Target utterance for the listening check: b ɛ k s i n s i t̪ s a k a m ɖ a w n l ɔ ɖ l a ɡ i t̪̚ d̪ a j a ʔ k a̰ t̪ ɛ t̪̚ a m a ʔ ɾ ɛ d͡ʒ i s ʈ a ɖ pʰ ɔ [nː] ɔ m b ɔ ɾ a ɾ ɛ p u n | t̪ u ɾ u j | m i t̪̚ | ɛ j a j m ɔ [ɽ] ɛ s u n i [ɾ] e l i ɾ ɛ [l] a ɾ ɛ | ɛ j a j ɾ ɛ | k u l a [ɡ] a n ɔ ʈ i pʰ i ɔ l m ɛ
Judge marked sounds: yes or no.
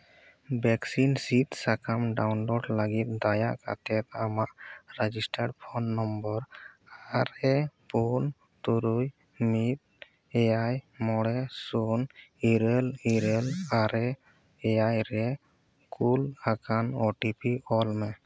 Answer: yes, yes, yes, yes, no

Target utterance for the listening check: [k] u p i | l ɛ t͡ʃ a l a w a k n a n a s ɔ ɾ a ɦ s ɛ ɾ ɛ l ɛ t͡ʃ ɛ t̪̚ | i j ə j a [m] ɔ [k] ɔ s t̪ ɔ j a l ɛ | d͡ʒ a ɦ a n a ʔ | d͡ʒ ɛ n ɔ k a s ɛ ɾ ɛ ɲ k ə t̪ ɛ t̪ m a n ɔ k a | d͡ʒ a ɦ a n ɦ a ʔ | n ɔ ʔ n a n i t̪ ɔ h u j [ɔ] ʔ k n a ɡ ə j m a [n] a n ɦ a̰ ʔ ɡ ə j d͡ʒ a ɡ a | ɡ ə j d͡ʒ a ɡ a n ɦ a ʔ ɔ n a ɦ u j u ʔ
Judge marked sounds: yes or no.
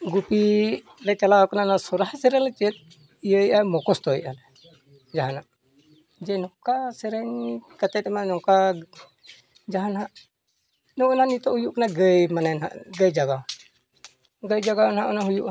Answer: no, yes, yes, no, yes

